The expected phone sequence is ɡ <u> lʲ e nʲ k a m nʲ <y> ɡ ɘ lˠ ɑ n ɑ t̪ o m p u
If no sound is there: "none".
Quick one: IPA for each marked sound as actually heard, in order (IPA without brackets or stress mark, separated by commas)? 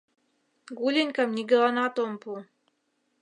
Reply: u, i